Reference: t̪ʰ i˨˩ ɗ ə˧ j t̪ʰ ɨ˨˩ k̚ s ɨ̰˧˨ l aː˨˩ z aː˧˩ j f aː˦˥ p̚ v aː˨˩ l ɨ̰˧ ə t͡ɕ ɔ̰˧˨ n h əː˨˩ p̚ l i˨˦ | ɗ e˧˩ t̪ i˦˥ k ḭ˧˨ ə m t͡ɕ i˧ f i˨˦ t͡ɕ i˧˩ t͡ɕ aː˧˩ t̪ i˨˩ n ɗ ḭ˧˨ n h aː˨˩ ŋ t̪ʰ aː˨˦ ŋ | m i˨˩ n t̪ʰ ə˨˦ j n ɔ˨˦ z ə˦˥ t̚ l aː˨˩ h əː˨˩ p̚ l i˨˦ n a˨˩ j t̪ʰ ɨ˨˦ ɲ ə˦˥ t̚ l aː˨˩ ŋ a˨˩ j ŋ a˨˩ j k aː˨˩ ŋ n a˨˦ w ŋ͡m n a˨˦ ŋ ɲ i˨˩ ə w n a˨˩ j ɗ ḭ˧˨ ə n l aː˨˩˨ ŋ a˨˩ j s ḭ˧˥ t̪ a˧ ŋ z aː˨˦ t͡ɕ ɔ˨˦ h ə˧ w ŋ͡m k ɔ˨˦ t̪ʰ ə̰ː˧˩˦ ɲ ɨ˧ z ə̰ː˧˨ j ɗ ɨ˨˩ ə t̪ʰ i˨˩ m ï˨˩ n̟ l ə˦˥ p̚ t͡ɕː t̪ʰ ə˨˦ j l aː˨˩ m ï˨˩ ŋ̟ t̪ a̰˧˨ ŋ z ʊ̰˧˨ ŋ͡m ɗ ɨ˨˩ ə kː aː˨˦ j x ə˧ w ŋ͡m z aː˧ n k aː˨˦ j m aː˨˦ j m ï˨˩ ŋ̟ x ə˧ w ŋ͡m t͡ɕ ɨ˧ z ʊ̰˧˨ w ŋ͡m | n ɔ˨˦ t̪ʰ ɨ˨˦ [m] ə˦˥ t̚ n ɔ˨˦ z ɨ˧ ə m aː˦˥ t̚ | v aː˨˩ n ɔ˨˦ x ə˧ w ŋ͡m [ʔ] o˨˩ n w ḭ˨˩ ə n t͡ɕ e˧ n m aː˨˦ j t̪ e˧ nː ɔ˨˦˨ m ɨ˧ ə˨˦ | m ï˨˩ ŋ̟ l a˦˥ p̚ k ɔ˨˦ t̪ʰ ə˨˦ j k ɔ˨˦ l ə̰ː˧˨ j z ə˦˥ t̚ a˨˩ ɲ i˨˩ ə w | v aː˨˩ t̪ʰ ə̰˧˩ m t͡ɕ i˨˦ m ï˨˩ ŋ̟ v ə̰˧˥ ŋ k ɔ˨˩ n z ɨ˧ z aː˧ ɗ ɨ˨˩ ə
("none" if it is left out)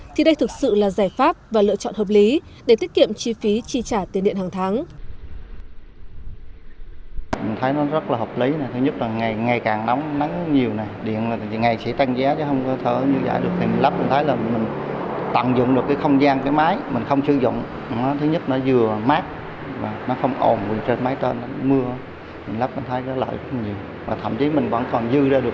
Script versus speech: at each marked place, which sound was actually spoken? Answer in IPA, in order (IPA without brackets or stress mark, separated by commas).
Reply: ɲ, ʔ